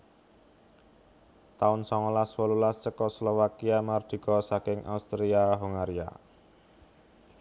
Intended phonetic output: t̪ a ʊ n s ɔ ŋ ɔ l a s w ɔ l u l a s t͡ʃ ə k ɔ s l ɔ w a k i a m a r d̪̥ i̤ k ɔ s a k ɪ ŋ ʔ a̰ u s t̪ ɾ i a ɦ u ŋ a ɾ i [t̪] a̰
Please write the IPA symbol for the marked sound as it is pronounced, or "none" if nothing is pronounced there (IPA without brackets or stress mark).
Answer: none